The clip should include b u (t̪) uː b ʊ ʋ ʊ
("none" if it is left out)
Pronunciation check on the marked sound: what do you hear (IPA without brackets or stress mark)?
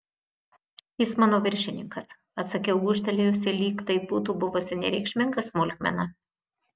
t̪